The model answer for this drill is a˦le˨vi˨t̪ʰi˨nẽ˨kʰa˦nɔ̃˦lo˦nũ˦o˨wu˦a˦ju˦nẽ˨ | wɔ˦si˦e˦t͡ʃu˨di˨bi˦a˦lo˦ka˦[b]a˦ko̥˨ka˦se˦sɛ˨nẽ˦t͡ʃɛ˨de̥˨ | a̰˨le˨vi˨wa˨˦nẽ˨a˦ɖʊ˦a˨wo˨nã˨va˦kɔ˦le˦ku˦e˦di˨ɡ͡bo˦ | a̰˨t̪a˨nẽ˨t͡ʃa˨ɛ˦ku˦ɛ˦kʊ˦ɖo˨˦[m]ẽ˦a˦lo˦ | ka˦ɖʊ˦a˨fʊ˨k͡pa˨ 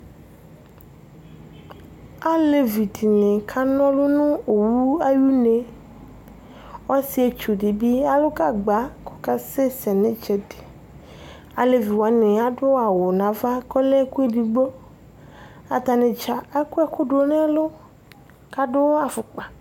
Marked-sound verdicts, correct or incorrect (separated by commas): incorrect, incorrect